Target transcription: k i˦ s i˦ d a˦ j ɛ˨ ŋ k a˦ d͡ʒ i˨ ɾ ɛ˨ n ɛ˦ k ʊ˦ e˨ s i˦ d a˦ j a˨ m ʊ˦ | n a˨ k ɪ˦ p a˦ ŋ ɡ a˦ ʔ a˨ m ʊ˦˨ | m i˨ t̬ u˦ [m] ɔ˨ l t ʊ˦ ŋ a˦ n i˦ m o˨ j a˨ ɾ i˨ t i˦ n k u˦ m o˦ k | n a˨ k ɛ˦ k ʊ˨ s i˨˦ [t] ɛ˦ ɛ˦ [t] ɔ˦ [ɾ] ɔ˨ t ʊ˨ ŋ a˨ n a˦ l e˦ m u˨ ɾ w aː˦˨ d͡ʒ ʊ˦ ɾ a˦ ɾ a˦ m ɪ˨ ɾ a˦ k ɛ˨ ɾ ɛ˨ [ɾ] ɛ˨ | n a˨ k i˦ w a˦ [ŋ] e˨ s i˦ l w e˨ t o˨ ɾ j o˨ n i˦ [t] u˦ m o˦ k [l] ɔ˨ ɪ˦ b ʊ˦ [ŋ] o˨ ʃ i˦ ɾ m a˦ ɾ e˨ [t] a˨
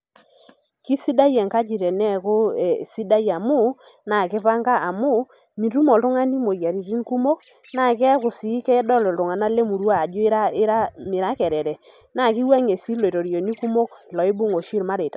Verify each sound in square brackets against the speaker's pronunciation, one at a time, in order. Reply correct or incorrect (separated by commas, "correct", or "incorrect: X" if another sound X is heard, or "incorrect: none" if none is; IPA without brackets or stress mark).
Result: correct, incorrect: k, incorrect: d, incorrect: l, correct, correct, incorrect: k, correct, correct, correct